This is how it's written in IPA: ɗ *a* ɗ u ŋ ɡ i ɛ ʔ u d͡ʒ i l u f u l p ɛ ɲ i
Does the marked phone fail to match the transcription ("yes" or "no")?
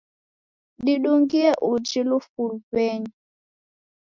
yes